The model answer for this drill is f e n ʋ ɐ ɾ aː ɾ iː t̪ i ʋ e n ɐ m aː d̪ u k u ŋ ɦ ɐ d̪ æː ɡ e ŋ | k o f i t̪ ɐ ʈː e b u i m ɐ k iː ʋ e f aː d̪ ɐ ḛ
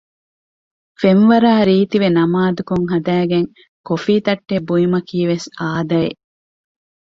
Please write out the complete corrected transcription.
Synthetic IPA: f e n ʋ ɐ ɾ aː ɾ iː t̪ i ʋ e n ɐ m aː d̪ u k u ŋ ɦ ɐ d̪ æː ɡ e ŋ | k o f iː t̪ ɐ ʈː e b u i m ɐ k iː ʋ e s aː d̪ ɐ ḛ